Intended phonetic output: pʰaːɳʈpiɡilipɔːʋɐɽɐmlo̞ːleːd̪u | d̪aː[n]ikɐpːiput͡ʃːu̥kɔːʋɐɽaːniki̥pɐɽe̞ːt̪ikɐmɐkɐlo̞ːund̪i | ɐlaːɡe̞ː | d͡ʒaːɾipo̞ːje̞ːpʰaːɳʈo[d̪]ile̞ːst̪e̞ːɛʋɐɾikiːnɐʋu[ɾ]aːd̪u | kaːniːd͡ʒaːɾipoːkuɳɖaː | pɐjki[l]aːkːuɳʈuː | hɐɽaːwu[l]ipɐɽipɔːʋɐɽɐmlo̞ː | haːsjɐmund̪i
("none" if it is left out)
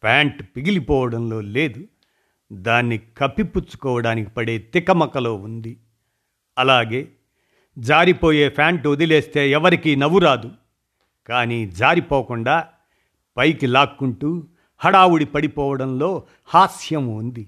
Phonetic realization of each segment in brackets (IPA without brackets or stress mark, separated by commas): nː, d̪, ɾ, l, ɽ